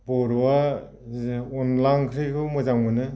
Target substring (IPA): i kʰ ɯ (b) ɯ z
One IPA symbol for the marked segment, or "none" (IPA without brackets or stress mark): m